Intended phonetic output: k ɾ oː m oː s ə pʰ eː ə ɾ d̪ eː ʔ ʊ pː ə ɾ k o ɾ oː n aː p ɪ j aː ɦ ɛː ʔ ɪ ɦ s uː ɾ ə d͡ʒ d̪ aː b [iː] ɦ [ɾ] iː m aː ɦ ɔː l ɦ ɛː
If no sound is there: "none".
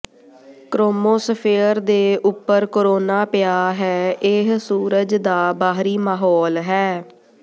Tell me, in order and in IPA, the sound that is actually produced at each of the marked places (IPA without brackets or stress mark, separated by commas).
aː, ɾ